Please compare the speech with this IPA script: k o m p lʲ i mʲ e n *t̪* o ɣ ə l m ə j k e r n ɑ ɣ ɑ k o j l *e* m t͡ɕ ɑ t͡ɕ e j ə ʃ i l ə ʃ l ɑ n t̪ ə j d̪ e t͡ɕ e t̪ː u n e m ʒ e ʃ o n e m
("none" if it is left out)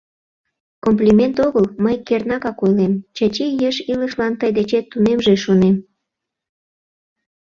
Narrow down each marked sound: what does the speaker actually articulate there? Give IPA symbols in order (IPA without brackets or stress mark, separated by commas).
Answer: t̪, e